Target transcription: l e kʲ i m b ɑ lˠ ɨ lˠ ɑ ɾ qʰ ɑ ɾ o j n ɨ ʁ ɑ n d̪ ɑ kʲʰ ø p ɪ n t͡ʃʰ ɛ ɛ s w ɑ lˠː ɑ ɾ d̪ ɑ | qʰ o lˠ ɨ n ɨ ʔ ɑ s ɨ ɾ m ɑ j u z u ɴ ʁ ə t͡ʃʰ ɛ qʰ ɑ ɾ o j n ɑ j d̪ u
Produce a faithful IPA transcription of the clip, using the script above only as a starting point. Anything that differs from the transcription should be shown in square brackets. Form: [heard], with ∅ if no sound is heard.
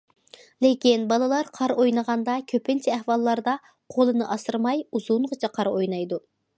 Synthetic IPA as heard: l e kʲ i [n] b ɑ lˠ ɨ lˠ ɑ ɾ qʰ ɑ ɾ o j n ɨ ʁ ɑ n d̪ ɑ kʲʰ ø p ɪ n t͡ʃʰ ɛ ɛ [h] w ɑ lˠː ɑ ɾ d̪ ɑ | qʰ o lˠ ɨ n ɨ ʔ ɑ s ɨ ɾ m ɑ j u z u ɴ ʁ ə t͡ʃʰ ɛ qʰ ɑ ɾ o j n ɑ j d̪ u